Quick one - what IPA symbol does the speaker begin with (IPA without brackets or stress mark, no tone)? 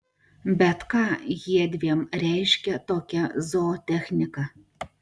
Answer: bʲ